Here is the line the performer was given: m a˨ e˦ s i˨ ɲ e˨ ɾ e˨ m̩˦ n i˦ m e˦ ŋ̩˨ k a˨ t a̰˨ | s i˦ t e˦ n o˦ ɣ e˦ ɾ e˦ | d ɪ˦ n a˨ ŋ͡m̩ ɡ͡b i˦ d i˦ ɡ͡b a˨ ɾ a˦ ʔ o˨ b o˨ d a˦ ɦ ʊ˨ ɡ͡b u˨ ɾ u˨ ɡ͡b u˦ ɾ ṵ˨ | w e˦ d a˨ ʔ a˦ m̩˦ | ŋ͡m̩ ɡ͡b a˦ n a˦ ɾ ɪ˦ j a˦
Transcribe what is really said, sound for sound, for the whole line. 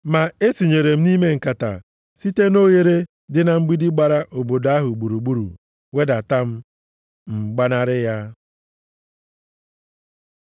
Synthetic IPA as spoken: m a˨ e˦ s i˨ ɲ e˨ ɾ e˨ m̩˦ n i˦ m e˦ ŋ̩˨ k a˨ t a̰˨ | s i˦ t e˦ n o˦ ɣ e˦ ɾ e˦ | d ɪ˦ n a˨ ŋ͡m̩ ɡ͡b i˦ d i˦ ɡ͡b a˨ ɾ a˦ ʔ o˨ b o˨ d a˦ ɦ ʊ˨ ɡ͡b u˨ ɾ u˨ ɡ͡b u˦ ɾ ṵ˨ | w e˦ d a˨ t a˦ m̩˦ | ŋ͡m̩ ɡ͡b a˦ n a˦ ɾ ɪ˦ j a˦